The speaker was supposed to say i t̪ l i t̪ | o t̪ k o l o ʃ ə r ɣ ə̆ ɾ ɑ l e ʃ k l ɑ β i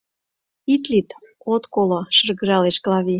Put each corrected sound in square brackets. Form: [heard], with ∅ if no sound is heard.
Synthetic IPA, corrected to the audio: i t̪ l i t̪ | o t̪ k o l o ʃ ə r ɣ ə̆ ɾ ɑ l e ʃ k l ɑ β i